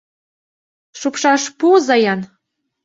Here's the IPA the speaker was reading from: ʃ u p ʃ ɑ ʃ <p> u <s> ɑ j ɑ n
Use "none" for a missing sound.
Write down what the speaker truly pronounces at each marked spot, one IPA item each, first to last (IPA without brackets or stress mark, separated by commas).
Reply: p, z